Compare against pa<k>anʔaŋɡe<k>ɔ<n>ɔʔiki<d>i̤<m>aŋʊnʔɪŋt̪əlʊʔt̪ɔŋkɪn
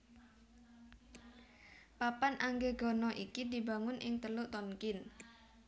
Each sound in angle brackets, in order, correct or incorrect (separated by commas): incorrect, incorrect, correct, correct, incorrect